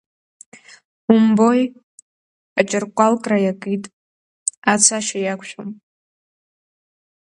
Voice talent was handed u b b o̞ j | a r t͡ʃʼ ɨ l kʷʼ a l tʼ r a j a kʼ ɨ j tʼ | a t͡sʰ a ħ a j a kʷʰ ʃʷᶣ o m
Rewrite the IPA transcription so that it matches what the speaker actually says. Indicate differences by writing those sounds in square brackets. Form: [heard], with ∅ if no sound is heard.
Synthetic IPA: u [m] b o̞ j | a [∅] t͡ʃʼ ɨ [r] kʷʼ a l [kʼ] r a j a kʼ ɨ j tʼ | a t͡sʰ a [ʃ] a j a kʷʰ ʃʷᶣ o m